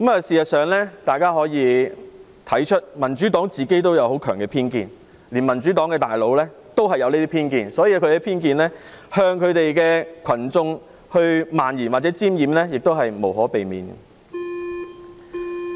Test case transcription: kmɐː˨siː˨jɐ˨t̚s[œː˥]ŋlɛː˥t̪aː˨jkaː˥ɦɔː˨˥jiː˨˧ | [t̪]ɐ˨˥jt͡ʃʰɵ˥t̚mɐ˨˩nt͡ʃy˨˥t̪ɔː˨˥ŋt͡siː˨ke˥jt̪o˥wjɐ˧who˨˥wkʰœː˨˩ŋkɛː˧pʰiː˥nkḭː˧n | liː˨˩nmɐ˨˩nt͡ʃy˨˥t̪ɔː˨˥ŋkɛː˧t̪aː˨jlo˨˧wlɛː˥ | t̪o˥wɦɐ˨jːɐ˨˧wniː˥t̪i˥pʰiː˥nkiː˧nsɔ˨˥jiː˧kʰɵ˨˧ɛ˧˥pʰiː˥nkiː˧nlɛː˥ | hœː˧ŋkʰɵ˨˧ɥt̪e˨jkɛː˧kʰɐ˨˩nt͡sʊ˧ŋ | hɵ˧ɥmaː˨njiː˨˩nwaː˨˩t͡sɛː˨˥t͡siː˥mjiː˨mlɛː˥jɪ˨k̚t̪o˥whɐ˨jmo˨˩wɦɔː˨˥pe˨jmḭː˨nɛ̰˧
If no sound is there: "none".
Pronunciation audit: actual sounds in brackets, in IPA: œː˨, t̪ʰ

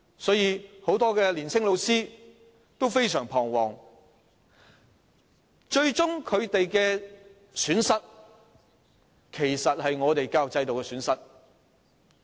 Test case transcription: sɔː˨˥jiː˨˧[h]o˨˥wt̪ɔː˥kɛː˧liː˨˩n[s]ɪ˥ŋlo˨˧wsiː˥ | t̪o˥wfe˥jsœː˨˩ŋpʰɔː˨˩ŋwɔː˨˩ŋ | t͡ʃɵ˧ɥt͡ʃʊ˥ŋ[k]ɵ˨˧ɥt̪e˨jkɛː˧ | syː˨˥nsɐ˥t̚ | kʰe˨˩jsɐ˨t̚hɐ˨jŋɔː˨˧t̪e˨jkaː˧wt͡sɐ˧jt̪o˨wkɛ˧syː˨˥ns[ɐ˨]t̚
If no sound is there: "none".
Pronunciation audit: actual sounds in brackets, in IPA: h, s, kʰ, ɐ˥

